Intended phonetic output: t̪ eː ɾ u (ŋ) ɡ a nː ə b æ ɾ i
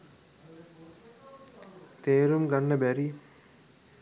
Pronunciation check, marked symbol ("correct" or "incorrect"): incorrect